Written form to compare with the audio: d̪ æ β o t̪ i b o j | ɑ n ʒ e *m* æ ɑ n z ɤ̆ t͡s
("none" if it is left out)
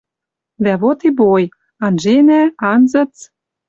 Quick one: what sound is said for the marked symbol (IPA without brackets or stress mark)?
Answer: n